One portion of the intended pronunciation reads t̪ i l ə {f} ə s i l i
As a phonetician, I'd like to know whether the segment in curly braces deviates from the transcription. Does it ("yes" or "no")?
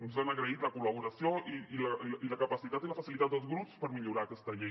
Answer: no